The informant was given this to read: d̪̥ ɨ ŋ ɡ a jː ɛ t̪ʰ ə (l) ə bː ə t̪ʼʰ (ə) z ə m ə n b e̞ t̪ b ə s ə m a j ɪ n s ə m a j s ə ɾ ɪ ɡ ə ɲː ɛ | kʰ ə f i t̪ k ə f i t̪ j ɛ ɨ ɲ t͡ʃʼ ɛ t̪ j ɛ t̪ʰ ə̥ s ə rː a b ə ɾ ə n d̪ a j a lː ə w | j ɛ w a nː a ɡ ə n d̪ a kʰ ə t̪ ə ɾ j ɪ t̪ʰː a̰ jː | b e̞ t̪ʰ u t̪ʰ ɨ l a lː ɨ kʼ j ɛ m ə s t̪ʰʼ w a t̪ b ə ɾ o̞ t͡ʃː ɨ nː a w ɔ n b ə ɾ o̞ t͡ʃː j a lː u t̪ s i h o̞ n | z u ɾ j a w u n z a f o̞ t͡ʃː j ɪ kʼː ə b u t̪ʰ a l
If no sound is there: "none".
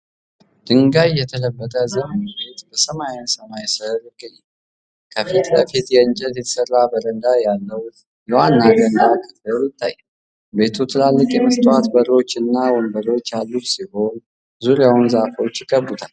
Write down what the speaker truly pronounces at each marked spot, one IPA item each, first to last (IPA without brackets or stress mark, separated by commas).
l, ə